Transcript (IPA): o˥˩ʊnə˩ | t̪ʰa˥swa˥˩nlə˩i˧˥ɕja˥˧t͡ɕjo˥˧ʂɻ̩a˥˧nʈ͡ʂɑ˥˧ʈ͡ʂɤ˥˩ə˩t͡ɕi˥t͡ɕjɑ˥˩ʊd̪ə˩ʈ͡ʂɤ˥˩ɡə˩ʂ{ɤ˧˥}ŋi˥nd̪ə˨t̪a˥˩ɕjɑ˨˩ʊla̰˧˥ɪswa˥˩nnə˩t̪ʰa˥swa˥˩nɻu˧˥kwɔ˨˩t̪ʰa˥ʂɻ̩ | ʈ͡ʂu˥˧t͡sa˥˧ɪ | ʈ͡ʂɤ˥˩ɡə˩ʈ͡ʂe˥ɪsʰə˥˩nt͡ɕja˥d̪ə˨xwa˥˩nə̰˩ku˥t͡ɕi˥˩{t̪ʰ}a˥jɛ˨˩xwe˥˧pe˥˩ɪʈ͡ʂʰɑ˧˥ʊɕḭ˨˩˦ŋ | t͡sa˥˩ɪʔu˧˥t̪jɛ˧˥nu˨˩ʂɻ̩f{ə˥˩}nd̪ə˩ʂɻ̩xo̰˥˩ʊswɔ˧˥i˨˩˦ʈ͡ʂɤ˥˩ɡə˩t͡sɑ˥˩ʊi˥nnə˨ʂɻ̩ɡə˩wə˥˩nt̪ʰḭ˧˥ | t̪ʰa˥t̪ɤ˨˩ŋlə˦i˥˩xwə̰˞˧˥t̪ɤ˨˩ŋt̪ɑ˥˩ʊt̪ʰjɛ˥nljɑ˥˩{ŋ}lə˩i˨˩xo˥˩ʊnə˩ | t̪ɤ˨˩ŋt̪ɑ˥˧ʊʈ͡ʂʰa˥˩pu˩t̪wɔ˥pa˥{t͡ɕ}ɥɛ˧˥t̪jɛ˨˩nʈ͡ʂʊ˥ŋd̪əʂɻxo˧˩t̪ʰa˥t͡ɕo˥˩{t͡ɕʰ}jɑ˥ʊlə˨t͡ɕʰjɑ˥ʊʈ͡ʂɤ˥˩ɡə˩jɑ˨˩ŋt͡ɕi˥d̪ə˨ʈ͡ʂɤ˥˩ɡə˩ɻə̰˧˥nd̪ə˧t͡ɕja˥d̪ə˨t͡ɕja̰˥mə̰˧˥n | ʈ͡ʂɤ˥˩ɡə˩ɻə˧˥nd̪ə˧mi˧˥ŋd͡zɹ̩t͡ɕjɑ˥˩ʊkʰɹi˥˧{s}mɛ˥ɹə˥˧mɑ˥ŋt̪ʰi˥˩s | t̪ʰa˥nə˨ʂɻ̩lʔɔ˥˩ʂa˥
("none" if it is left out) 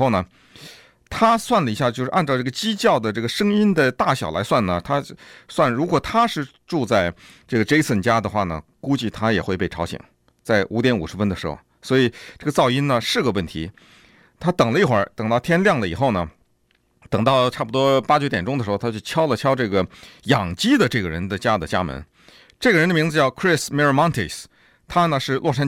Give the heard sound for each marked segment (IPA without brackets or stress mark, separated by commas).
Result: ɤ˥, t̪ʰ, ə˥, ŋ, t͡ɕ, t͡ɕʰ, s